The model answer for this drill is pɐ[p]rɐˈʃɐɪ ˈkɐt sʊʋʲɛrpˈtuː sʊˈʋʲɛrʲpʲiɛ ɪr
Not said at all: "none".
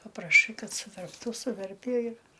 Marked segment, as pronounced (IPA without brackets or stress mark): p